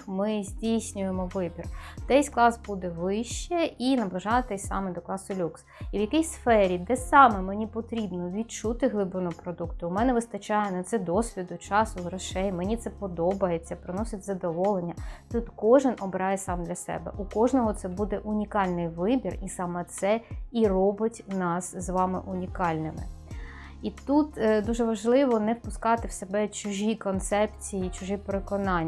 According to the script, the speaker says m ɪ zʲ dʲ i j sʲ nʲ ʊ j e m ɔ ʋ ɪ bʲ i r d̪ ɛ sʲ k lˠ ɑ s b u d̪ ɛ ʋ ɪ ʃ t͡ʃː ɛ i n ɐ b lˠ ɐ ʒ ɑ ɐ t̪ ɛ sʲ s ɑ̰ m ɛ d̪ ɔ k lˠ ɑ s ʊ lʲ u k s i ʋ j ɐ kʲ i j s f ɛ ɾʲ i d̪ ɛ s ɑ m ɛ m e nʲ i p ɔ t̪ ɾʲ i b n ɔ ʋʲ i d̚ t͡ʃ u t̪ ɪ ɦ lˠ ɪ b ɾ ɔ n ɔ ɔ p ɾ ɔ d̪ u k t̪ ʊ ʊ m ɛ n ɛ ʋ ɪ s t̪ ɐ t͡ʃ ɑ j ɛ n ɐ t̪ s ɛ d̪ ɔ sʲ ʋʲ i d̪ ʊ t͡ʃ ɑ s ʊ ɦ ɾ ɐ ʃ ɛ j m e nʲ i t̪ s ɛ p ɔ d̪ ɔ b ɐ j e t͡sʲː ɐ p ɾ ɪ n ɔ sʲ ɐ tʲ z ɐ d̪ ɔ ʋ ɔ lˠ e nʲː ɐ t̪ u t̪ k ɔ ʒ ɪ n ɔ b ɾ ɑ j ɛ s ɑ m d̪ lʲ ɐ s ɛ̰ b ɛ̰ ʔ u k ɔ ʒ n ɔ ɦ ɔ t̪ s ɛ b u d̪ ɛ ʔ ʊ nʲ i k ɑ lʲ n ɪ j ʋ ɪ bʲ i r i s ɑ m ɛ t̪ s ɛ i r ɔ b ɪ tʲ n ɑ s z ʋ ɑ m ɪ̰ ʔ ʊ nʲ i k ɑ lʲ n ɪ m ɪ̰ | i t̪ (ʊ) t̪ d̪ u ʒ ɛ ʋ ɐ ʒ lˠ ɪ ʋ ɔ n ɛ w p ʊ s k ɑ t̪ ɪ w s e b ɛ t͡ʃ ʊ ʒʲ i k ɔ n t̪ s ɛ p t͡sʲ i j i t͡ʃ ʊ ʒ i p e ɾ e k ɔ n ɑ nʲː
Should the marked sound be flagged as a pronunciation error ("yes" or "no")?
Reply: yes